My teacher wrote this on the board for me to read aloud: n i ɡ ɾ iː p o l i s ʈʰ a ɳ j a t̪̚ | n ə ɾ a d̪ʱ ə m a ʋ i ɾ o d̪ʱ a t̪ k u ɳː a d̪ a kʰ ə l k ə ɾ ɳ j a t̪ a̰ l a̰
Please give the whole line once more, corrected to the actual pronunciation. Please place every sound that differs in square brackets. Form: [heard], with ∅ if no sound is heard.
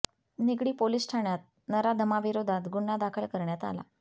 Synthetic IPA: n i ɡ [ɽ] iː p o l i s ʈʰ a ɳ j a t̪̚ | n ə ɾ a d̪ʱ ə m a ʋ i ɾ o d̪ʱ a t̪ [ɡ] u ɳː a d̪ a kʰ ə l k ə ɾ ɳ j a t̪ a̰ l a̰